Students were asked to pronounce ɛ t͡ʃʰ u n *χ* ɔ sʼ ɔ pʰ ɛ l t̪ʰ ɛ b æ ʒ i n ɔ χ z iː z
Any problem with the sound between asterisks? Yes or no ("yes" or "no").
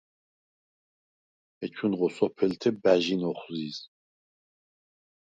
yes